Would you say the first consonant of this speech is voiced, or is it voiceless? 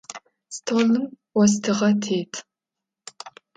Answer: voiceless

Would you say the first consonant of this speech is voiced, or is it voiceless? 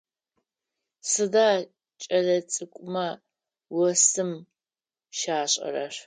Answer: voiceless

